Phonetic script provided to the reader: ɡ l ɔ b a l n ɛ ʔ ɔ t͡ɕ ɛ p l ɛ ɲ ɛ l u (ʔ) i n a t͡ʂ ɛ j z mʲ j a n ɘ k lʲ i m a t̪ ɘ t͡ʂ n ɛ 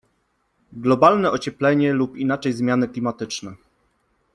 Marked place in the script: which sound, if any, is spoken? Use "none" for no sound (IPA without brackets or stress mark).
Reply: p